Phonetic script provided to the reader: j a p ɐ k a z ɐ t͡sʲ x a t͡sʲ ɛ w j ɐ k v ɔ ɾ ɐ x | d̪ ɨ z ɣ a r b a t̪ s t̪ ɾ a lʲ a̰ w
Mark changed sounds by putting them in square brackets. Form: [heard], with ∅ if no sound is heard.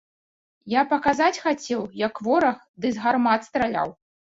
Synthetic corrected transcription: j a p ɐ k a z [a] t͡sʲ x a t͡sʲ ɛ w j ɐ k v ɔ ɾ ɐ x | d̪ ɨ z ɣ a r [m] a t̪ s t̪ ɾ a lʲ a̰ w